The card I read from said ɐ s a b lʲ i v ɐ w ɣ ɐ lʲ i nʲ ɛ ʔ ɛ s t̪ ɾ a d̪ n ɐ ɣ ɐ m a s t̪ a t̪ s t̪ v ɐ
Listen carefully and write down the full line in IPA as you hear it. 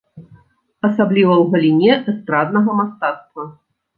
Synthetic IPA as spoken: ɐ s a b lʲ i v ɐ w ɣ ɐ lʲ i nʲ ɛ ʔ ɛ s t̪ ɾ a d̪ n ɐ ɣ ɐ m a s t̪ a t̪ s t̪ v ɐ